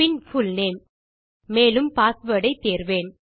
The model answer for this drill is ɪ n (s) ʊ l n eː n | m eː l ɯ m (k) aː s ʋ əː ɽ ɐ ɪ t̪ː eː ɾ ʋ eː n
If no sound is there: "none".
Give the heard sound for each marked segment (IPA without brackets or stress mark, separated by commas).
f, p